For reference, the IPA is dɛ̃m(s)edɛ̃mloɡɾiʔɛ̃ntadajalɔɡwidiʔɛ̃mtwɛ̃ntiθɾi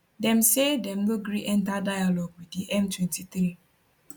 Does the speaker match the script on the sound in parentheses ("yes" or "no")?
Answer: yes